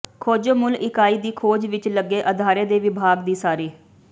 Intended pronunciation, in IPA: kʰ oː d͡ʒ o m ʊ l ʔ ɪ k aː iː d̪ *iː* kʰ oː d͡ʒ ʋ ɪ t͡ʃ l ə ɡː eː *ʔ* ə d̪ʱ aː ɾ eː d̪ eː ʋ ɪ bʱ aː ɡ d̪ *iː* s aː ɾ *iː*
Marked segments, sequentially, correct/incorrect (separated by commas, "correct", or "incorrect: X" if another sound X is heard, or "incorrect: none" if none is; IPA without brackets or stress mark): correct, correct, correct, correct